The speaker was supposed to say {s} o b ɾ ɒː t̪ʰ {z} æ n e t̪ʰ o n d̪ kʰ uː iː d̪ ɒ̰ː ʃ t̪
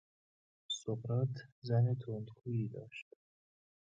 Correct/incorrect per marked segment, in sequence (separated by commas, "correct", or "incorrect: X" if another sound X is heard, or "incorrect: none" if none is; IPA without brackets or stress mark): correct, correct